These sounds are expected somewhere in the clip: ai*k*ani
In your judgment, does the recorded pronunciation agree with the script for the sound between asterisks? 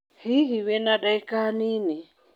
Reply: yes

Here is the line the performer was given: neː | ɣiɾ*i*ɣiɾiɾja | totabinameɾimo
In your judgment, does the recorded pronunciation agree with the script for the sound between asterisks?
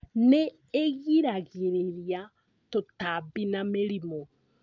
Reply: no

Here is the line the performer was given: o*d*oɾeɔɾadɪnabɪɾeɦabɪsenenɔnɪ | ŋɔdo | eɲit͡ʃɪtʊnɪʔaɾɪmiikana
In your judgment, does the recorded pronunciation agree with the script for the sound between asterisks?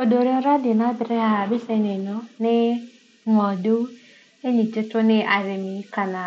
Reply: yes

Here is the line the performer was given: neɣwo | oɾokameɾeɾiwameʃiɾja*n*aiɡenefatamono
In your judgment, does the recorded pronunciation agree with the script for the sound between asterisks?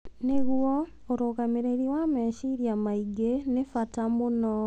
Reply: no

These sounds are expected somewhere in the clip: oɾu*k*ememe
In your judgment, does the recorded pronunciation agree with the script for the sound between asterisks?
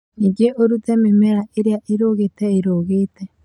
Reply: no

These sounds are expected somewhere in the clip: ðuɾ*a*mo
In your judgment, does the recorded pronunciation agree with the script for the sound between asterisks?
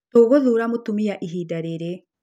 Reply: yes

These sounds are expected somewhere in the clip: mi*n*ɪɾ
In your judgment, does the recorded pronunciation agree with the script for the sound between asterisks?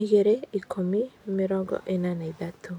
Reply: no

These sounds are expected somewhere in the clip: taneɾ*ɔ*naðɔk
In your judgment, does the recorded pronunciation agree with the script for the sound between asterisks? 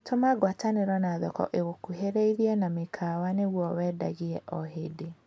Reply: yes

